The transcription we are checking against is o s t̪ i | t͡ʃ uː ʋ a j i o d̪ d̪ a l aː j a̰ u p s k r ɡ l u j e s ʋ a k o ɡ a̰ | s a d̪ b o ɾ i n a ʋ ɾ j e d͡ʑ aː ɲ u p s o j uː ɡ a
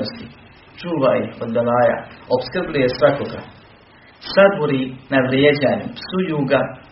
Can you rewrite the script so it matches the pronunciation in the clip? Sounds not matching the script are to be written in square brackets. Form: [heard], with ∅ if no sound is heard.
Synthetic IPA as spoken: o s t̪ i | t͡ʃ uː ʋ a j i o d̪ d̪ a l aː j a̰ [o] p s k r [b] l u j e s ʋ a k o ɡ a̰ | s a d̪ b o ɾ i n a ʋ ɾ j e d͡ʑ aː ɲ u p s [u] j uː ɡ a